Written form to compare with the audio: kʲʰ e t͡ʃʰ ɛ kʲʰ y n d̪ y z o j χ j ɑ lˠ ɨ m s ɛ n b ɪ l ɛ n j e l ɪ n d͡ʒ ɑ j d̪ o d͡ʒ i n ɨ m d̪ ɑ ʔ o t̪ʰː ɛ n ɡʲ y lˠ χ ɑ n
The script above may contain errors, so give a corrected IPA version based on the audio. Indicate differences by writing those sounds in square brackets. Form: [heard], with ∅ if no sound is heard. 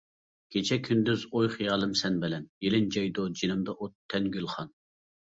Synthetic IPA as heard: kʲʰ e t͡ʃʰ ɛ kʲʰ y n d̪ y z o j χ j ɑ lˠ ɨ m s ɛ n b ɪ l ɛ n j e l ɪ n d͡ʒ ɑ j d̪ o d͡ʒ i n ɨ m d̪ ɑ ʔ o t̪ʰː ɛ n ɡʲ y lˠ χ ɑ n